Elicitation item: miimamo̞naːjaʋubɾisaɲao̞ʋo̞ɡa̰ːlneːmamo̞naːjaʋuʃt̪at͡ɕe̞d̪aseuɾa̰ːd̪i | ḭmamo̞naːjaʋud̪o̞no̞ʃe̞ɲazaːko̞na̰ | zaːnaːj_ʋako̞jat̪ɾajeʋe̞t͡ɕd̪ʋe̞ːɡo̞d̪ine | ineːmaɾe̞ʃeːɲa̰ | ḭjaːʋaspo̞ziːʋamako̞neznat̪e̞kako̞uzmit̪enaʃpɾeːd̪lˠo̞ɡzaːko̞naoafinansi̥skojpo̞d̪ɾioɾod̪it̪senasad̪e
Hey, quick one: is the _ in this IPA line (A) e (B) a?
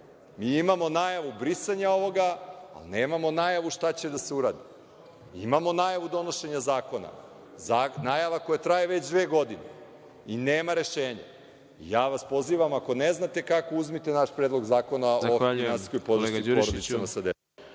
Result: B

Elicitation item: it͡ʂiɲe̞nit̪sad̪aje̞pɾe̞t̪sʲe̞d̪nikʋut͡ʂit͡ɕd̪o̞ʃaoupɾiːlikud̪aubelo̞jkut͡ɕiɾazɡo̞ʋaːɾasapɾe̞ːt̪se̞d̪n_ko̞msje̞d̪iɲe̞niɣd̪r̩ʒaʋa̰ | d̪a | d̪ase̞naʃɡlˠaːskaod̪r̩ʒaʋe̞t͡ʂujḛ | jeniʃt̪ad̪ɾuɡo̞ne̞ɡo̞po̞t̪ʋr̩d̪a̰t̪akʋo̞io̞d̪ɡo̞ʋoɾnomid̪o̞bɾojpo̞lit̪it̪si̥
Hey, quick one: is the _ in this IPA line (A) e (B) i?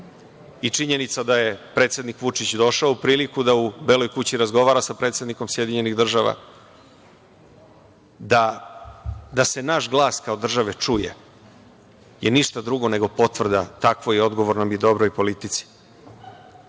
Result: B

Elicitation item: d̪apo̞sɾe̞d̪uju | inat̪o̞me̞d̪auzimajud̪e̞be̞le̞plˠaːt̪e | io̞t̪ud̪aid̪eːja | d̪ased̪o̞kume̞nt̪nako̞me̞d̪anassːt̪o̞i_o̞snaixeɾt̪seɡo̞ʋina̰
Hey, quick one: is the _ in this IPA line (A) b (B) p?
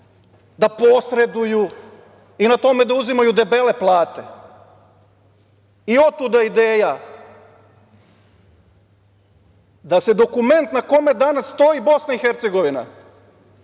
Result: A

